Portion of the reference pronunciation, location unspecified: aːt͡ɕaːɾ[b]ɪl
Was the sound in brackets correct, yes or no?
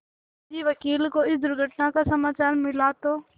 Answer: no